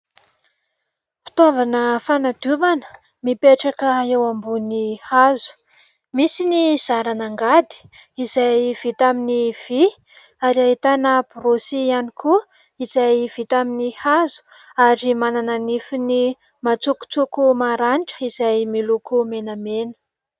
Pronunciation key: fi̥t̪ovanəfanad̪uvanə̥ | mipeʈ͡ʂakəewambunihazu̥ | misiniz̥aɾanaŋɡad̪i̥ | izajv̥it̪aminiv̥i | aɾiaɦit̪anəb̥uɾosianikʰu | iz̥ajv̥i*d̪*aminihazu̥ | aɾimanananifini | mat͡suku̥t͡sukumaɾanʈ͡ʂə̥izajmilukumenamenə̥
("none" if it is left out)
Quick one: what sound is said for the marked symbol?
t̪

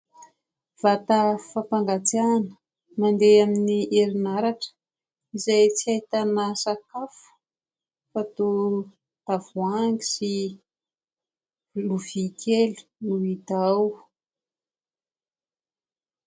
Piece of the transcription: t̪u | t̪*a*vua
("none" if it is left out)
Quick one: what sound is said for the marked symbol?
a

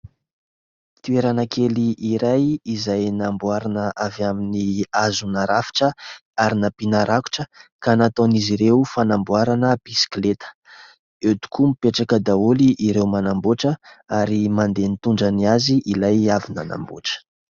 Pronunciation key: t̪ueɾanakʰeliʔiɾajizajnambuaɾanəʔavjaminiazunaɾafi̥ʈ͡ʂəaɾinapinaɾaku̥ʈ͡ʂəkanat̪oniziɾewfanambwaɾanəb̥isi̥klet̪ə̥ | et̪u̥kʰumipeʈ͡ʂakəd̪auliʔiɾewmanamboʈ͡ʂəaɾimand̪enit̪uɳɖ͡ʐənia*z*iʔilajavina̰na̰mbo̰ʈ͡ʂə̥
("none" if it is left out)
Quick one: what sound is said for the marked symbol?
z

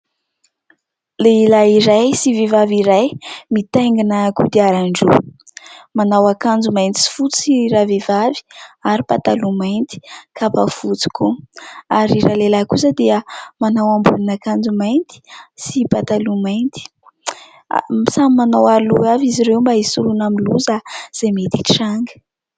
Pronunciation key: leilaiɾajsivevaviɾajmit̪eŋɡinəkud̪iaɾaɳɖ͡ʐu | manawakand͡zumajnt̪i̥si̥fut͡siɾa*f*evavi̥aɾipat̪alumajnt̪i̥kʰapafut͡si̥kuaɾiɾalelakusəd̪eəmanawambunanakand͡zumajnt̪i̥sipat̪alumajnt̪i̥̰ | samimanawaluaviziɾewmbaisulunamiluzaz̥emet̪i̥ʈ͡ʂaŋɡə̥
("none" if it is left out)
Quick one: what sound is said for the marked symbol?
v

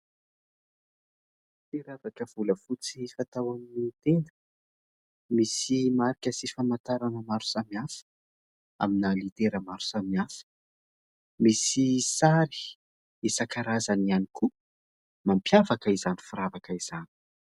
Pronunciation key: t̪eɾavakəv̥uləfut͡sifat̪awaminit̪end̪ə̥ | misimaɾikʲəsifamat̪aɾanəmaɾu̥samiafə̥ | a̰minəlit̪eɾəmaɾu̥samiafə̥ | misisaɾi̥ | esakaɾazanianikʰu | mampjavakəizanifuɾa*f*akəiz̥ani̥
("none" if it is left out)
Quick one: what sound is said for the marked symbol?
v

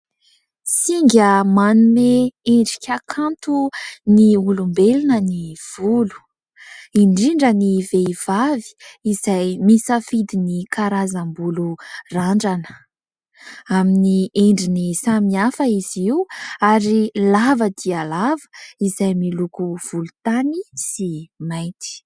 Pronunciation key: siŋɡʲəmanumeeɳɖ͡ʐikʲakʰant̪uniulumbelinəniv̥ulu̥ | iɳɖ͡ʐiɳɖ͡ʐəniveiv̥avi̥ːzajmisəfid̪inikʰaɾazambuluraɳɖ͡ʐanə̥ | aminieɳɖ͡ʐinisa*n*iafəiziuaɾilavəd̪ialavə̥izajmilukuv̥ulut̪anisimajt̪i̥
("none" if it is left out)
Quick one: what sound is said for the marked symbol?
m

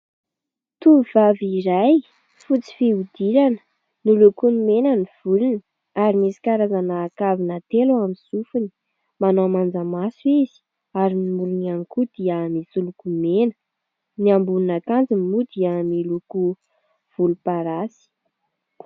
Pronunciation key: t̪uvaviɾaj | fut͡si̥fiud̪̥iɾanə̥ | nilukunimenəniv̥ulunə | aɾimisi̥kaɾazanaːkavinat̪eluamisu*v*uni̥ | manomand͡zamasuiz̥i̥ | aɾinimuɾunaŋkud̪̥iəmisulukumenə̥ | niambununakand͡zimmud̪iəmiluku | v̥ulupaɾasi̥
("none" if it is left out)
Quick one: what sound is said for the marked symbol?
f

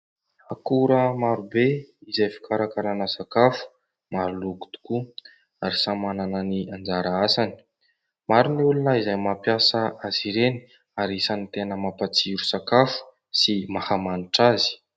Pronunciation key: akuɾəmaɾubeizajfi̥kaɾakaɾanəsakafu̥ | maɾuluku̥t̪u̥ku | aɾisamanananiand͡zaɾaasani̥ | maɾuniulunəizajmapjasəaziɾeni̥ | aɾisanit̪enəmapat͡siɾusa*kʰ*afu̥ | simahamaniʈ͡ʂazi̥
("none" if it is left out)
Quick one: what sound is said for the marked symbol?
k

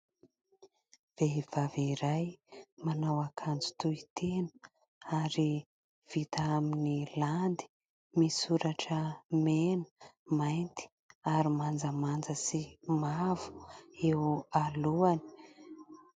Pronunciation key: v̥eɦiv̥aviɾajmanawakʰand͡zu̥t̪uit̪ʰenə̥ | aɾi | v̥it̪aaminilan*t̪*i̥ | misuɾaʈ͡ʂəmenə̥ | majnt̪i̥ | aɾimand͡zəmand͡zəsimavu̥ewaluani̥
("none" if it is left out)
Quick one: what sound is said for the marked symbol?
d̪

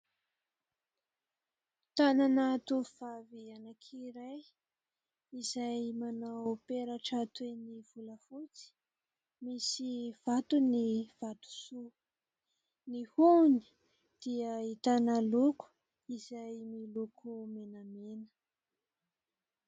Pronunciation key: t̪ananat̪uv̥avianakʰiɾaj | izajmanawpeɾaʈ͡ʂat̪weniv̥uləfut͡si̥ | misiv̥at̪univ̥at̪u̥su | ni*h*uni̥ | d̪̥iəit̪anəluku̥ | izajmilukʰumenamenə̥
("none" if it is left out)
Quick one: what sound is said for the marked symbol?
h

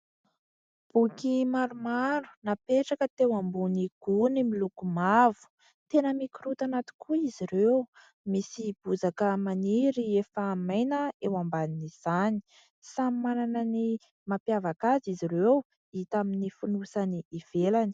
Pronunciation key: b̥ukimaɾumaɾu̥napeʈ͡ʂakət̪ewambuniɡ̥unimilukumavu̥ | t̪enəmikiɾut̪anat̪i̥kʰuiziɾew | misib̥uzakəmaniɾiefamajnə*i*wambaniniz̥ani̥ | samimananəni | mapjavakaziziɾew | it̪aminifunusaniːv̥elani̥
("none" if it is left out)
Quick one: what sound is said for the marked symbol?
e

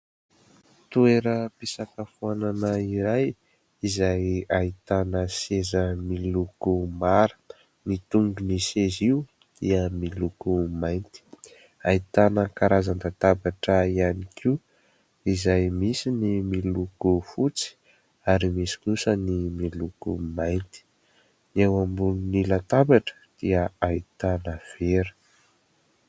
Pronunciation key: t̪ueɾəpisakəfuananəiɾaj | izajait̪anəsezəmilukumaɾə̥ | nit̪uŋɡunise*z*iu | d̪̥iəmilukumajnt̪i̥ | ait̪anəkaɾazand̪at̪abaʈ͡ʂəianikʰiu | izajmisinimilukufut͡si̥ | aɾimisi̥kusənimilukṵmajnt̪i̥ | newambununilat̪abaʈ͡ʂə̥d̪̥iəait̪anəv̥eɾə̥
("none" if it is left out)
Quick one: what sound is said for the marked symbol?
z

